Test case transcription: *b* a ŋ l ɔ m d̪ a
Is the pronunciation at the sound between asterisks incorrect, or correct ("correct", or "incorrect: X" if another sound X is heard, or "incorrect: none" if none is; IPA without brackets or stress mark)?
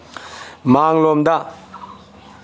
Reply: incorrect: m